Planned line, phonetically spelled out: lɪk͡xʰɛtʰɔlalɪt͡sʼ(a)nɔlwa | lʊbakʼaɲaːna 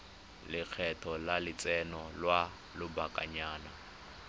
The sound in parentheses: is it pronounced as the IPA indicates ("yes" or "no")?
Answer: no